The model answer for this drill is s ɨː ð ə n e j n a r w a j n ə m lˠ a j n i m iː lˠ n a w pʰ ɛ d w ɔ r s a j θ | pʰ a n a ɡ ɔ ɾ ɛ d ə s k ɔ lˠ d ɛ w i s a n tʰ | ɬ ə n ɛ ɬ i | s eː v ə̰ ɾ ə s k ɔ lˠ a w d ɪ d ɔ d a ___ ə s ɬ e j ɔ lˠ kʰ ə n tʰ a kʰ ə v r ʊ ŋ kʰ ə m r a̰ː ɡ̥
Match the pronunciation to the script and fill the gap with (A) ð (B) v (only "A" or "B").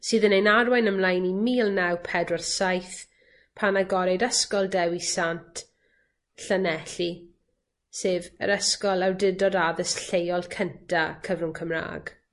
A